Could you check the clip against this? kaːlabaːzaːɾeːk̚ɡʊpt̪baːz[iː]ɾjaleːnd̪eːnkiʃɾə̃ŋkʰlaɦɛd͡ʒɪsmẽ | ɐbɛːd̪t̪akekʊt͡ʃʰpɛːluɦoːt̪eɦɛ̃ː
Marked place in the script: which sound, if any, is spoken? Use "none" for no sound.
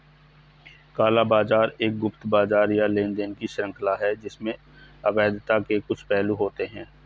aː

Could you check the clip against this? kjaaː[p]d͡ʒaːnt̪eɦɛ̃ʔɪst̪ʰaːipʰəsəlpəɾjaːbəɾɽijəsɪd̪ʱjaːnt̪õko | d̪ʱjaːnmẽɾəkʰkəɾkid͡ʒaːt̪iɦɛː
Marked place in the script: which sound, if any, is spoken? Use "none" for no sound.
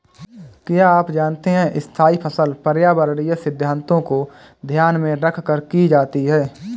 p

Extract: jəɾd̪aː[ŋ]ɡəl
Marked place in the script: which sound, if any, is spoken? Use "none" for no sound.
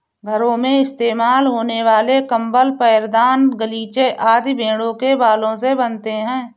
n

